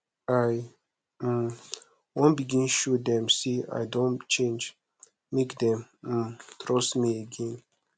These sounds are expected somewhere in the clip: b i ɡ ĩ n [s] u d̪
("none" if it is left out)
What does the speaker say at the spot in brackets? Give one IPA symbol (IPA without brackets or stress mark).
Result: ʃ